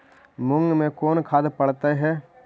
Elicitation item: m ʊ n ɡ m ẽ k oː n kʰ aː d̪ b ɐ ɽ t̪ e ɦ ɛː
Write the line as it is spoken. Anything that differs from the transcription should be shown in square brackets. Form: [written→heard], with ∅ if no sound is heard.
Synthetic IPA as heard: m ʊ [n→ŋ] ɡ m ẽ k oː n kʰ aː d̪ [b→p] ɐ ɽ t̪ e ɦ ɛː